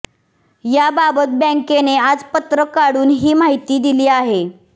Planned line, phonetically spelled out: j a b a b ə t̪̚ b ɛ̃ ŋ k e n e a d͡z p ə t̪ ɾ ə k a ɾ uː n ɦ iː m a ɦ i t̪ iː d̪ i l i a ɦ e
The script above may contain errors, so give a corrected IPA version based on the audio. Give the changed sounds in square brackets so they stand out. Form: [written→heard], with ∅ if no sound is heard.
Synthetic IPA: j a b a b ə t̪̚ b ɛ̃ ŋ k e n e a d͡z p ə t̪ ɾ ə k a [ɾ→ɽ] uː n ɦ iː m a ɦ i t̪ iː d̪ i l [i→iː] a ɦ e